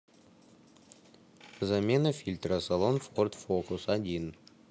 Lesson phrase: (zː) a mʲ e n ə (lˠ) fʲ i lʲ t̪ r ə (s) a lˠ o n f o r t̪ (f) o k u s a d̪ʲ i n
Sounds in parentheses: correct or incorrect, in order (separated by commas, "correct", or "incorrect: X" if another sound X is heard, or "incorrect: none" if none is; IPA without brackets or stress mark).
incorrect: z, incorrect: none, correct, correct